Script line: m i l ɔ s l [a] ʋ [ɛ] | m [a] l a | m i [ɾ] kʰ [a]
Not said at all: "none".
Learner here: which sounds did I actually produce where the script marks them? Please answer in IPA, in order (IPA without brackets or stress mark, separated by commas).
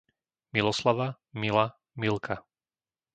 a, a, i, l, a